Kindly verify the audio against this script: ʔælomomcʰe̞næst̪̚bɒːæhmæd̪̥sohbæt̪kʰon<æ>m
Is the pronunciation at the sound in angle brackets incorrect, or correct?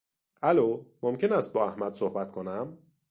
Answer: correct